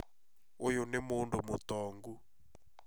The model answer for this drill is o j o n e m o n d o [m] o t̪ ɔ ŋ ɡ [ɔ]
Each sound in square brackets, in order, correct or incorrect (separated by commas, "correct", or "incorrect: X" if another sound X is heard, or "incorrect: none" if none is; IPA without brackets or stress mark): correct, incorrect: u